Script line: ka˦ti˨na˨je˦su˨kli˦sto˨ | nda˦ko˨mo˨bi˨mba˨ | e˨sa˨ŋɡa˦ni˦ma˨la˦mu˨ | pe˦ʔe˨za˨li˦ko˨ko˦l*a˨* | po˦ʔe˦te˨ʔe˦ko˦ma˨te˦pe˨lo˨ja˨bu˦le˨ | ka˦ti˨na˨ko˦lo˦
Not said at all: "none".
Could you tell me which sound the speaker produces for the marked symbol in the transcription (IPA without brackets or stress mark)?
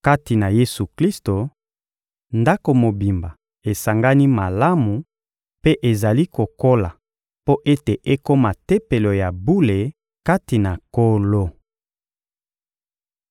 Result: a˨